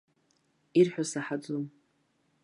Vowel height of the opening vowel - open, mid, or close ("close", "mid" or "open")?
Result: close